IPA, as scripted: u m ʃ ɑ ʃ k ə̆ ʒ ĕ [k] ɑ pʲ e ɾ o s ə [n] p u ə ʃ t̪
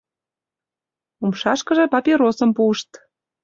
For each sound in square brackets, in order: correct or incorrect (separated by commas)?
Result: incorrect, incorrect